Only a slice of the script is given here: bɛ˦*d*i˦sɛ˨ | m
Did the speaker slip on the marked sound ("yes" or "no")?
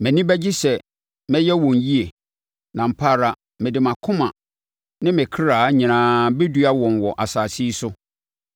yes